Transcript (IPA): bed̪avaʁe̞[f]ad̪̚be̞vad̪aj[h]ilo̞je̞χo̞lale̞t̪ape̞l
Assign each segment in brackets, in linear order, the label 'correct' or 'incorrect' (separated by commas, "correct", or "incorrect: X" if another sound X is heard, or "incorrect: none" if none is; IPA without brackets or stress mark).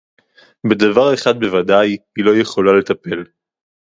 incorrect: χ, correct